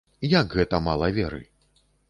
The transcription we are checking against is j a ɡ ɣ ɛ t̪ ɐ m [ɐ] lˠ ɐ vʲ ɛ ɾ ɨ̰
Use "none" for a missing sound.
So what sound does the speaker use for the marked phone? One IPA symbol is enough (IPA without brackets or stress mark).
a